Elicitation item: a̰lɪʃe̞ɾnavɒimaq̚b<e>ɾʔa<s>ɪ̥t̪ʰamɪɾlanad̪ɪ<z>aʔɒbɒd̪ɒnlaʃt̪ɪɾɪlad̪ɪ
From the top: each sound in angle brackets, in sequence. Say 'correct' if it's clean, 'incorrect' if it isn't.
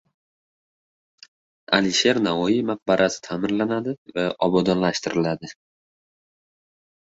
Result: incorrect: a, correct, incorrect: v

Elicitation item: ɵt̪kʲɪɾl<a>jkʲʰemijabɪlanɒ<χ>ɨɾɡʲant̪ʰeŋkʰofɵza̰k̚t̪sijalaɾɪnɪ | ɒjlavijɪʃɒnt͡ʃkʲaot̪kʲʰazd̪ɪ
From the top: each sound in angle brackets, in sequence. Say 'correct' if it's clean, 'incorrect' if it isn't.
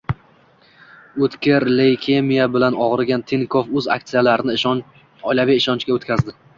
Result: incorrect: e, incorrect: ʁ

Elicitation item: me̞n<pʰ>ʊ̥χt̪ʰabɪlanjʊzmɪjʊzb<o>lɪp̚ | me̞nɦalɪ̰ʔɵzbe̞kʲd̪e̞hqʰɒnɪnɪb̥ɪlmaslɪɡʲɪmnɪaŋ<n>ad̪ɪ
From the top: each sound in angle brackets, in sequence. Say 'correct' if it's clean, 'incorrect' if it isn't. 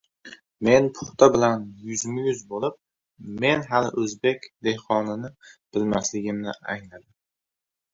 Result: correct, correct, correct

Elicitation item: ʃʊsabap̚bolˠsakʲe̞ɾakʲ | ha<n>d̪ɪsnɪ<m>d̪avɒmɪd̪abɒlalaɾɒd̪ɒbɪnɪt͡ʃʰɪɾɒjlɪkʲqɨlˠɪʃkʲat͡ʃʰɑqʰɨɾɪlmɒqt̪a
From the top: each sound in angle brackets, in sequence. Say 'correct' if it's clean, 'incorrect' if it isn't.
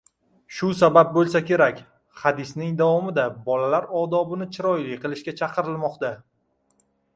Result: incorrect: none, incorrect: ŋ

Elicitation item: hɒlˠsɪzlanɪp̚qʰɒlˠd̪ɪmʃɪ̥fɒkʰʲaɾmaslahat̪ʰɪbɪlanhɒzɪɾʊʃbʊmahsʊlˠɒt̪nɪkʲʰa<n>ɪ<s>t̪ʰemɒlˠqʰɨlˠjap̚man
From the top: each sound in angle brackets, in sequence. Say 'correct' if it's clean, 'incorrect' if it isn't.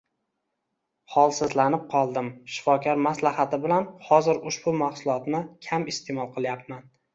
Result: incorrect: m, correct

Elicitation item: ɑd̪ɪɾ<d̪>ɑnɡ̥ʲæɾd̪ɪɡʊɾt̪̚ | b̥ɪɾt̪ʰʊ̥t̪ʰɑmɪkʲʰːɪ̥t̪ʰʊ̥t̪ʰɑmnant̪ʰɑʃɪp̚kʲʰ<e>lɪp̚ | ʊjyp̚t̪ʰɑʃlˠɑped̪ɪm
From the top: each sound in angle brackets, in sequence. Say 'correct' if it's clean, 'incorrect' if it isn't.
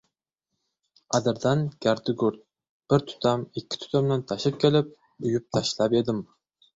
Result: correct, correct

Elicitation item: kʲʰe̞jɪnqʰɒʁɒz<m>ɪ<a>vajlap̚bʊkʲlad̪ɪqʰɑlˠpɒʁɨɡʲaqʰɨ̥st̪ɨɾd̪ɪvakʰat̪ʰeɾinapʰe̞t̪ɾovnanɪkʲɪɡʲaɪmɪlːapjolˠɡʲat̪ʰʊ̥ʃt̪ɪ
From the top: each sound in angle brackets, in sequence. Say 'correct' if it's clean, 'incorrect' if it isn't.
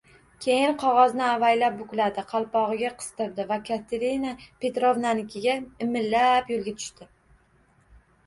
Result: incorrect: n, correct

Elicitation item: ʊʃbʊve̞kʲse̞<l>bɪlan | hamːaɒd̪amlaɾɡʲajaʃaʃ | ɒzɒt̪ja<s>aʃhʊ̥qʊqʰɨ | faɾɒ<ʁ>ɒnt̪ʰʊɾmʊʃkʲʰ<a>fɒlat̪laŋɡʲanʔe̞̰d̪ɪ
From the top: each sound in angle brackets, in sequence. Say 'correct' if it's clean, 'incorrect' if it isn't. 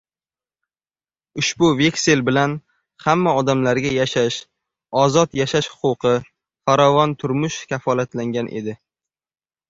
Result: correct, incorrect: ʃ, incorrect: v, correct

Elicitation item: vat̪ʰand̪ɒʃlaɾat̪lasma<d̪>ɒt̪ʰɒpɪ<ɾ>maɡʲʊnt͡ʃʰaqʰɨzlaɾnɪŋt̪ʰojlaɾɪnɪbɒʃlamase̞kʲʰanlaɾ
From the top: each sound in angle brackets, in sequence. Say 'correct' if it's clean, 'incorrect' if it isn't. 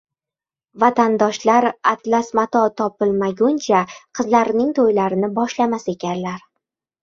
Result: incorrect: t̪, incorrect: l

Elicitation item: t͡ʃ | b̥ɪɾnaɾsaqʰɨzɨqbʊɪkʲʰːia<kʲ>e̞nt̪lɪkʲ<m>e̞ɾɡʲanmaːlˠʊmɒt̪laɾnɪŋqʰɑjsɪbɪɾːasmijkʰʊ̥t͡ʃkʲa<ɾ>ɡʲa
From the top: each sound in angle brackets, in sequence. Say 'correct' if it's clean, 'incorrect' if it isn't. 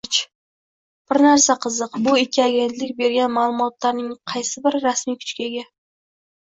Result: incorrect: ɡʲ, incorrect: b, incorrect: none

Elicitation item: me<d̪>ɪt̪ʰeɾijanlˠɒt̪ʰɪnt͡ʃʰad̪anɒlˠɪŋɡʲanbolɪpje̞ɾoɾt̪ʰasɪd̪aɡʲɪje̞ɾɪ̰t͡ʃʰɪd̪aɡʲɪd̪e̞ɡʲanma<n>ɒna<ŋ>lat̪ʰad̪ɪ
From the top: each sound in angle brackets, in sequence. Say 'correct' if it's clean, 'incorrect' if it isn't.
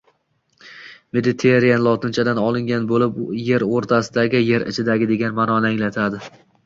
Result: correct, correct, correct

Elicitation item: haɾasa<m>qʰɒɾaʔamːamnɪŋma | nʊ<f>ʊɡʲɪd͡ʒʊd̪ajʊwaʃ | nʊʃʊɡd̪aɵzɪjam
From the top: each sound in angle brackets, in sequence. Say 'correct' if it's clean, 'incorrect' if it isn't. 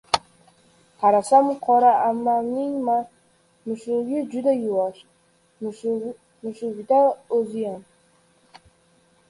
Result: correct, incorrect: ʃ

